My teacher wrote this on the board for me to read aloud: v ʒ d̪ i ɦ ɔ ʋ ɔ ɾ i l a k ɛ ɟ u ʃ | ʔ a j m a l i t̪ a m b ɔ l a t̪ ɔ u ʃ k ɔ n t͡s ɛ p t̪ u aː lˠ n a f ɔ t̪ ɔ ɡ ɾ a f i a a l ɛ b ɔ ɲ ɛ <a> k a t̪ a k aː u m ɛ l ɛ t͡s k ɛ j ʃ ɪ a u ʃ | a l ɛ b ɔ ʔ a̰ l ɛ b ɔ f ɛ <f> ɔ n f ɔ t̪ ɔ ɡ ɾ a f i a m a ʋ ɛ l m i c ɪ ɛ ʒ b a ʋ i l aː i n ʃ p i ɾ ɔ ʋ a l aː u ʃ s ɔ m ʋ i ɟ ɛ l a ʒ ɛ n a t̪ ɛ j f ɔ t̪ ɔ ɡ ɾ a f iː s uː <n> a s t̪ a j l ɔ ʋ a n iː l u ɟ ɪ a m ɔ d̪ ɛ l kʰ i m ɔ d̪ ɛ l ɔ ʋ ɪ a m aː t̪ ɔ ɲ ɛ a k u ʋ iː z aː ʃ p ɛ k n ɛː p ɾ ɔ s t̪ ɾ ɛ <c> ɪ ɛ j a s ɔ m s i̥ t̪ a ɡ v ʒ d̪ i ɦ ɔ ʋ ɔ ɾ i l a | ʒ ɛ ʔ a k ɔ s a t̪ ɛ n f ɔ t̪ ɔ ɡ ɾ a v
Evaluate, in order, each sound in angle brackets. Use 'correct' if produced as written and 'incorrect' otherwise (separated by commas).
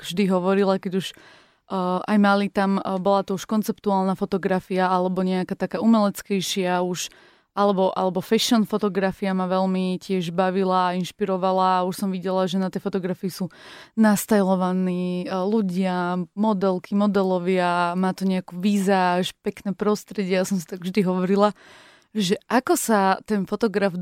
correct, incorrect, correct, incorrect